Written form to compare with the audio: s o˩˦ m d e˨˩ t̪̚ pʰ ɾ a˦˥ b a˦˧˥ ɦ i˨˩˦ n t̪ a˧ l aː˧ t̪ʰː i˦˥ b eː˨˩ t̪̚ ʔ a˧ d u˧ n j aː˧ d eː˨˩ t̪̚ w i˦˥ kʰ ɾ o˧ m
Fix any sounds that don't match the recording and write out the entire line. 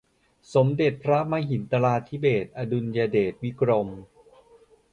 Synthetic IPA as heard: s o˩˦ m d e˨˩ t̪̚ pʰ ɾ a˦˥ m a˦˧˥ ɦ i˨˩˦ n t̪ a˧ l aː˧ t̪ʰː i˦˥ b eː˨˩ t̪̚ ʔ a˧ d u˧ n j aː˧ d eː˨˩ t̪̚ w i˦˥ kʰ ɾ o˧ m